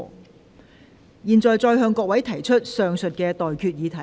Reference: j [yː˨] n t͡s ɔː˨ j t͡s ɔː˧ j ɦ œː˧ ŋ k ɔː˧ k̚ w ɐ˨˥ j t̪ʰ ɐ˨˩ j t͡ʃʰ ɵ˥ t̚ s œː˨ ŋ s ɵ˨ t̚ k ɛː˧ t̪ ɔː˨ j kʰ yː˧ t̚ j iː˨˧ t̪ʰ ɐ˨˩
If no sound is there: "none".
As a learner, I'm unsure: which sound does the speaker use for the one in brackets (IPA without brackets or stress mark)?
iː˨